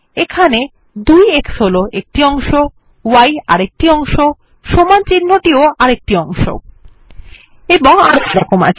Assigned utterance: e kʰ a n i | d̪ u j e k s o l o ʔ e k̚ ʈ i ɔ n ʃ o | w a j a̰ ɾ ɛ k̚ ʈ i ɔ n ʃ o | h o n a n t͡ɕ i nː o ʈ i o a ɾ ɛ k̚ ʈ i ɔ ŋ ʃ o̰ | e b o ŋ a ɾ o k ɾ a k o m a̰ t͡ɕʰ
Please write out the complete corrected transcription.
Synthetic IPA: e kʰ a n e | d̪ u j e k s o l o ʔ e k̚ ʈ i ɔ ŋ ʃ o | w a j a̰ ɾ e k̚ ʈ i ɔ ŋ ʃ o | ʃ o m a n t͡ɕ i nː o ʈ i o a ɾ e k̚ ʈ i ɔ ŋ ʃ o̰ | e b o ŋ a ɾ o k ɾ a k o m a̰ t͡ɕʰ